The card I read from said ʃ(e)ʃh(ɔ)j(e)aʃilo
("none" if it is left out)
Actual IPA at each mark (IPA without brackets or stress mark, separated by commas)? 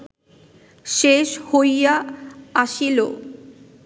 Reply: e, o, a